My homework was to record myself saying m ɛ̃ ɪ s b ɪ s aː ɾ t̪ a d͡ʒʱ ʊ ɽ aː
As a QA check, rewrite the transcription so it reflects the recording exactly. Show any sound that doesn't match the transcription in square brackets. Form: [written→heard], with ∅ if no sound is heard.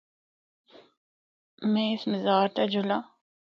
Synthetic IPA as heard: m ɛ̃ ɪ s [b→m] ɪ [s→z] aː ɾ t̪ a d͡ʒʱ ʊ [ɽ→l] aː